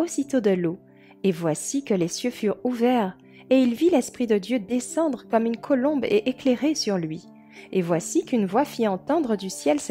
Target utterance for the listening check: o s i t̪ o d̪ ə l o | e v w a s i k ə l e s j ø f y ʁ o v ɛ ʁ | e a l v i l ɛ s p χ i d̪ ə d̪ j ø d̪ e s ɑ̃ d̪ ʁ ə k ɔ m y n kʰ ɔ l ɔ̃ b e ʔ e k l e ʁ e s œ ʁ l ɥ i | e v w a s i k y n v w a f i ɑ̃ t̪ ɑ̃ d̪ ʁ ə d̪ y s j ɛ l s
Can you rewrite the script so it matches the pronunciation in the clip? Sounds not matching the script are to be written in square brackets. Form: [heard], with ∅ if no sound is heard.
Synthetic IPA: o s i t̪ o d̪ ə l o | e v w a s i k ə l e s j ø f y ʁ [u] v ɛ ʁ | e [i] l v i l ɛ s p χ i d̪ ə d̪ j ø d̪ e s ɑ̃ d̪ ʁ ə k ɔ m y n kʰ ɔ l ɔ̃ b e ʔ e k l e ʁ e s [y] ʁ l ɥ i | e v w a s i k y n v w a f i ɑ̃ t̪ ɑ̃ d̪ ʁ ə d̪ y s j ɛ l s